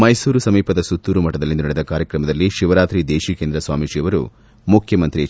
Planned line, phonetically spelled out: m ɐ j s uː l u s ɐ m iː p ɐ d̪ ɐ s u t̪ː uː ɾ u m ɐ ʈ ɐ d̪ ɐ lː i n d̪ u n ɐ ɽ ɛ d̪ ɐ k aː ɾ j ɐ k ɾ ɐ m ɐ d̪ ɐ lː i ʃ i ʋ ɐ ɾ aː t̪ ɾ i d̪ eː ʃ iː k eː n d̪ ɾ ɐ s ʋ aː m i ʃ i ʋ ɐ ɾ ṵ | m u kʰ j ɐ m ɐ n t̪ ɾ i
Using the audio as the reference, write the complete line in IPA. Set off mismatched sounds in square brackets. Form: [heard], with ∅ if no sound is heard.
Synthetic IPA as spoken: m ɐ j s uː [ɾ] u s ɐ m iː p ɐ d̪ ɐ s u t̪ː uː ɾ u m ɐ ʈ ɐ d̪ ɐ lː i n d̪ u n ɐ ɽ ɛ d̪ ɐ k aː ɾ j ɐ k ɾ ɐ m ɐ d̪ ɐ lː i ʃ i ʋ ɐ ɾ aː t̪ ɾ i d̪ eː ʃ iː k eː n d̪ ɾ ɐ s ʋ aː m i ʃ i ʋ ɐ ɾ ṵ | m u kʰ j ɐ m ɐ n t̪ ɾ i